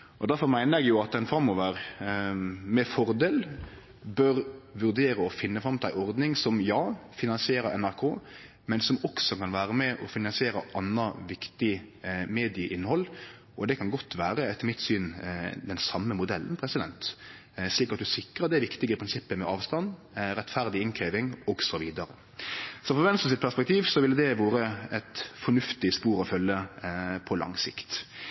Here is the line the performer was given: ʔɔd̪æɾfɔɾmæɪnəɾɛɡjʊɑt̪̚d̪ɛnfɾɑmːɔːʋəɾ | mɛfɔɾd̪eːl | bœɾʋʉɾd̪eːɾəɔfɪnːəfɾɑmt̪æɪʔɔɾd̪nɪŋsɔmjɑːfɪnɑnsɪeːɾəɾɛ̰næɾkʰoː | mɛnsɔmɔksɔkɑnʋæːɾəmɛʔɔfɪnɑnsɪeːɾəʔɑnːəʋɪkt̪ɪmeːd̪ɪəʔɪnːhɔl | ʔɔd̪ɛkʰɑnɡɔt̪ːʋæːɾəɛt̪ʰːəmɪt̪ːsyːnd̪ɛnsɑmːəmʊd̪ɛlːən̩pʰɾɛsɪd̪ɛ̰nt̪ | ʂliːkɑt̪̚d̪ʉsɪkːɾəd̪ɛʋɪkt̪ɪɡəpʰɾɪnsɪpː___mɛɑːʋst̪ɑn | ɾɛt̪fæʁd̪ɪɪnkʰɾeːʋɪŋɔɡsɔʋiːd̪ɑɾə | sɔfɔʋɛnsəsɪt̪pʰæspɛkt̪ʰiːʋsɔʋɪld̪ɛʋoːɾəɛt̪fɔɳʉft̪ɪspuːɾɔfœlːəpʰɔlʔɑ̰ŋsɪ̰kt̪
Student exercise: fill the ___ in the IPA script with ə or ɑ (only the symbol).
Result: ə